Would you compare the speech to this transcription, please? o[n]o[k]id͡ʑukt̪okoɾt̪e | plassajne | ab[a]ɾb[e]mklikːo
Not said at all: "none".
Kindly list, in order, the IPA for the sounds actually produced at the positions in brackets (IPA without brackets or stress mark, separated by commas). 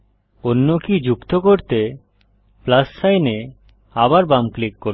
nː, k, a, a